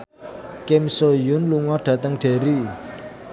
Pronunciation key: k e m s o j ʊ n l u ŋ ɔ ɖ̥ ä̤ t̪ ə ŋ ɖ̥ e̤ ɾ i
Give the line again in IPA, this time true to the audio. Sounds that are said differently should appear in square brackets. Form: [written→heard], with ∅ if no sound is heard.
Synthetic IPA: k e m s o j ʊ n l u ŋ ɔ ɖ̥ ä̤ t̪ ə ŋ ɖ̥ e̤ ɾ i